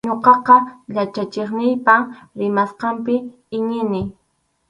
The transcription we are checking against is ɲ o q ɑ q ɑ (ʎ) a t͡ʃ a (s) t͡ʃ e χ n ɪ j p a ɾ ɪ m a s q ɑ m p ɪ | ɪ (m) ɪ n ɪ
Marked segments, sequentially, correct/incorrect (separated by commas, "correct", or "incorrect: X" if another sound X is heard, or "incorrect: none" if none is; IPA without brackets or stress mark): correct, incorrect: none, incorrect: ɲ